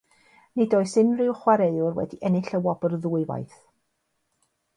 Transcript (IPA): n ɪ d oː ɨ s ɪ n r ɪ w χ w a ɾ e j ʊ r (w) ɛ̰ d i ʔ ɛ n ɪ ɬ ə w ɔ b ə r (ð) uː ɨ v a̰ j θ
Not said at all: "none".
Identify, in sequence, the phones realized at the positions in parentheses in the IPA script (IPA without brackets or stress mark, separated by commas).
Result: w, ð